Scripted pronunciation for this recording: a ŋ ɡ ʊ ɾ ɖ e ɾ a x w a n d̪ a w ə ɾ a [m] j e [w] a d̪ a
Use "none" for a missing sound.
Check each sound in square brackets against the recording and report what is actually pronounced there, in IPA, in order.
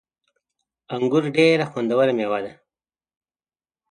m, w

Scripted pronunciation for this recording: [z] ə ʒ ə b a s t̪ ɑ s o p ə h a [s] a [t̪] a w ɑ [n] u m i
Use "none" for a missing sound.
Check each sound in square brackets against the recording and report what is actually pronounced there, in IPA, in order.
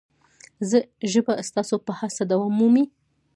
z, s, d̪, m

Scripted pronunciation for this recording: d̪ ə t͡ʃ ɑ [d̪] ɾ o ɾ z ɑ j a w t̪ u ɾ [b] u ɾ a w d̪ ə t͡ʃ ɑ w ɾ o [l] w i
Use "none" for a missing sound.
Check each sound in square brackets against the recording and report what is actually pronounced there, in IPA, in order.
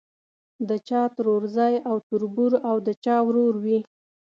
t̪, b, ɾ

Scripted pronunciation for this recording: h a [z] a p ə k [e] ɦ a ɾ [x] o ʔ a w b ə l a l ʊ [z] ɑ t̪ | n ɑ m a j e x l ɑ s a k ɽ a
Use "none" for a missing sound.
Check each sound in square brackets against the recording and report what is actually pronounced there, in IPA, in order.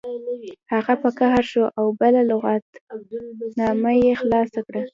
ɣ, a, ʃ, ɣ

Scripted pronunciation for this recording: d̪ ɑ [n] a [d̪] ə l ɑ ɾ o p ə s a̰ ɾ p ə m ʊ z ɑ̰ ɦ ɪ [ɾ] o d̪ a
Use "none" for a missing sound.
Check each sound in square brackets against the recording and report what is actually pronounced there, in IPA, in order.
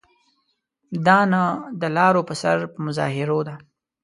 n, d̪, ɾ

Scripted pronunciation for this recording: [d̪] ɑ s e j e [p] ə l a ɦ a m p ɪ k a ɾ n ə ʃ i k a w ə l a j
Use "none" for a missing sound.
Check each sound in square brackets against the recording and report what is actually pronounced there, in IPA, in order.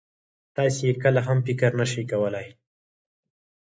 t̪, k

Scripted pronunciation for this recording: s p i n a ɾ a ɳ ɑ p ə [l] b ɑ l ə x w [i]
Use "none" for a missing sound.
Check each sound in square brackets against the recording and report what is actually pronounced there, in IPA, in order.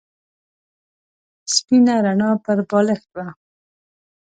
ɾ, a

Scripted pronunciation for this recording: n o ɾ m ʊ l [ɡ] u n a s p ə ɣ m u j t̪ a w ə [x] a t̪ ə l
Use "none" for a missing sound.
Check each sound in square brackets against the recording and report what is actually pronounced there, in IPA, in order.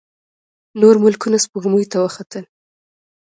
k, x

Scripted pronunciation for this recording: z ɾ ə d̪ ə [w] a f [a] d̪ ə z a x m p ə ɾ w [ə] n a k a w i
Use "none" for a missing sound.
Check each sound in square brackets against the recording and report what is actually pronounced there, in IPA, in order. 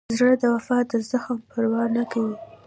w, ɑ, ɑ

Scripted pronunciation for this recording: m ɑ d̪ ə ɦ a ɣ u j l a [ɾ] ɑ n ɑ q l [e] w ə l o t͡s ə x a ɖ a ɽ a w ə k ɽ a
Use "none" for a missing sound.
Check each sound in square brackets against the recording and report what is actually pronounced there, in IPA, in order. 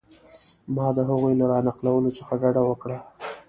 ɾ, a

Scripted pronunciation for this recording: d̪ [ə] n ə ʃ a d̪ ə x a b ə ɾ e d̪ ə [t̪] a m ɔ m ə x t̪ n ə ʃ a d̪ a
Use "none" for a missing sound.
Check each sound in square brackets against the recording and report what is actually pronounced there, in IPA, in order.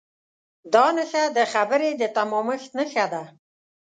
ɑ, t̪

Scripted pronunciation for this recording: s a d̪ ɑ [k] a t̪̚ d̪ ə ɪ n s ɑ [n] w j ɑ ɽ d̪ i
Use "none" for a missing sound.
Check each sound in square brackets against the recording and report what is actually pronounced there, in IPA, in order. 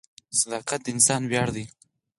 q, n

